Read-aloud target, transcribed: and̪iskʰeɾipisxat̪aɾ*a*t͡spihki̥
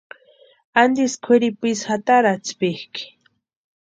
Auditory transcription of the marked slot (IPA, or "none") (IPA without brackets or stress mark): a